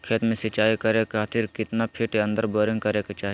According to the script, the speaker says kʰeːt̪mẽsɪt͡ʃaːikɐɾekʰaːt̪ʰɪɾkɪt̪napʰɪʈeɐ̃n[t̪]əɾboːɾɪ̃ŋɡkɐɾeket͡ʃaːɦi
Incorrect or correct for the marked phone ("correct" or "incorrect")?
incorrect